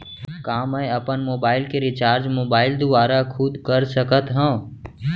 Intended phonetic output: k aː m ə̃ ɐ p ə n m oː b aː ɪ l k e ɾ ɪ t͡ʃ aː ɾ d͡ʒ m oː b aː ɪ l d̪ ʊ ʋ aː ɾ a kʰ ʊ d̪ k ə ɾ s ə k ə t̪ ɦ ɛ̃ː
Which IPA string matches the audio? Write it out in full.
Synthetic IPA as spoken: k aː m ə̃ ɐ p ə n m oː b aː ɪ l k e ɾ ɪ t͡ʃ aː ɾ d͡ʒ m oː b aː ɪ l d̪ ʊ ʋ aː ɾ a kʰ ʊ d̪ k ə ɾ s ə k ə t̪ ɦ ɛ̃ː